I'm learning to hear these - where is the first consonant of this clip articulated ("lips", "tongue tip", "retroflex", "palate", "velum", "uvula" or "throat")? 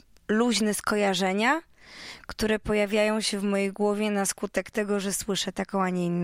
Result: tongue tip